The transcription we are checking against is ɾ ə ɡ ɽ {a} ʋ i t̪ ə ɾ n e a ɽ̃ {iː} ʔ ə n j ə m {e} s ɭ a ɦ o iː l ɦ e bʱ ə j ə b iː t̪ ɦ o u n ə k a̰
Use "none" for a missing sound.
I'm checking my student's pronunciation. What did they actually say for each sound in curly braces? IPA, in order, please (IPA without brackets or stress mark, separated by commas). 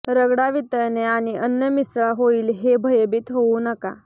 a, i, i